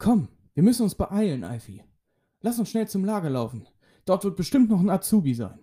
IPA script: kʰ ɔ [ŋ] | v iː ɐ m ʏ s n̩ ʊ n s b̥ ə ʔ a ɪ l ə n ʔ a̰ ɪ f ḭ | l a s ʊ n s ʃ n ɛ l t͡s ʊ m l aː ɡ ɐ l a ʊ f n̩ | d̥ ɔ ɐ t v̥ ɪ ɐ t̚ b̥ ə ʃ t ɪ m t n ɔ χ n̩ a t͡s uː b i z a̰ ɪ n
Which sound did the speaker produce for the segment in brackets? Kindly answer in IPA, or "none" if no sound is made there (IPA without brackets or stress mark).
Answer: m